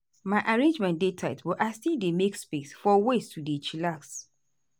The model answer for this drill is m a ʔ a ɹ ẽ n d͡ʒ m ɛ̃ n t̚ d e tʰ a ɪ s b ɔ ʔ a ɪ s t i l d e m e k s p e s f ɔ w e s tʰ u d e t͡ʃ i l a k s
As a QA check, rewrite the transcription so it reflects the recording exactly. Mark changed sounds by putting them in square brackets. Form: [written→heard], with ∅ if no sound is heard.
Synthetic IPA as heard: m a ʔ a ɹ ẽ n d͡ʒ m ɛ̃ n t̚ d e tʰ a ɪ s b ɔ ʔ a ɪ s t i l d e m e k s p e s f ɔ w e s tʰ u d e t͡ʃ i l a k s